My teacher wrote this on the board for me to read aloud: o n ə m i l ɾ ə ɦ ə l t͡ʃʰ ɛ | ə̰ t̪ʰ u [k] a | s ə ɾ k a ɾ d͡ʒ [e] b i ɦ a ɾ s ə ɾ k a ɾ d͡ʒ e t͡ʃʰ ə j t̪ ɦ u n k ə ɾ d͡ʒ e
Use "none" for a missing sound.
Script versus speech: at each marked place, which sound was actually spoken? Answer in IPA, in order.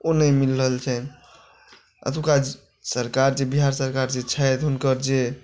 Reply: k, e

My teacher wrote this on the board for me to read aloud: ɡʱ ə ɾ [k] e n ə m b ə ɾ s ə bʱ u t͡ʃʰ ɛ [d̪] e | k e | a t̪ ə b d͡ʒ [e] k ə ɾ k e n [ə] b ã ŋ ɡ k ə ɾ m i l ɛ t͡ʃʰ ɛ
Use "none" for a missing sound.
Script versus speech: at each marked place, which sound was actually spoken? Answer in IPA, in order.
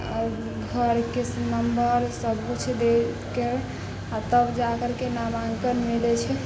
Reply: k, d̪, a, a

